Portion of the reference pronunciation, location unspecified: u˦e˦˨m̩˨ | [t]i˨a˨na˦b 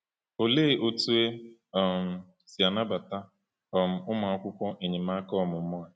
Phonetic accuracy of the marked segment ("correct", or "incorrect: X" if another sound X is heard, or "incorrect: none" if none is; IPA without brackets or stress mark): incorrect: s